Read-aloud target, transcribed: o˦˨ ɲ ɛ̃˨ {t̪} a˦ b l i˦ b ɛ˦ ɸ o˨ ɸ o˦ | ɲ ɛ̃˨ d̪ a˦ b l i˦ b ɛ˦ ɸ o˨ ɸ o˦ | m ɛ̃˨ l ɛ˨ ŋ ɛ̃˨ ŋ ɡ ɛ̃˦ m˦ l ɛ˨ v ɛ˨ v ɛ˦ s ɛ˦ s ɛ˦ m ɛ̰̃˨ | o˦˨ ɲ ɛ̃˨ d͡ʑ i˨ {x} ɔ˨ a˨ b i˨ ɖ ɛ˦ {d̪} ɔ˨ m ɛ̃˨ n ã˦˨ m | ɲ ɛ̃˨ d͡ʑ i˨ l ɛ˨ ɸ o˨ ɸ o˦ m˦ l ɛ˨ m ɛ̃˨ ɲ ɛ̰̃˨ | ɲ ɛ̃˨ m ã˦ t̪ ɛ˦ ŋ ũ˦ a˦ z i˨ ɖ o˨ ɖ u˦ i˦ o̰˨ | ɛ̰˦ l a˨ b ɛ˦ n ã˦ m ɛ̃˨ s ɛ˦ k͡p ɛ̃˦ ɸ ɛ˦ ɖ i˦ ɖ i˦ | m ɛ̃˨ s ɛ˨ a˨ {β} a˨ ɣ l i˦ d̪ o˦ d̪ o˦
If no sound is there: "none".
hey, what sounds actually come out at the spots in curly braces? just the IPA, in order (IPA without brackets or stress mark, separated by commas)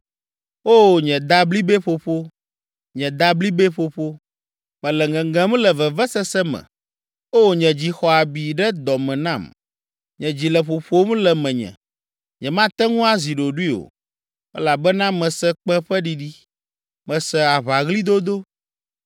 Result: d̪, x, d̪, β